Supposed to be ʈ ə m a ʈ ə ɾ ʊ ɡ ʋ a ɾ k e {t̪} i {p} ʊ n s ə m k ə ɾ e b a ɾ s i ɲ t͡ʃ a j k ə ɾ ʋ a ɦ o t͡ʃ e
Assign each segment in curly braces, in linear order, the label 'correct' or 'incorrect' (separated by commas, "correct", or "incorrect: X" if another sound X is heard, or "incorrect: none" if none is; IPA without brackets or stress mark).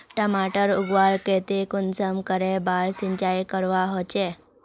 correct, incorrect: k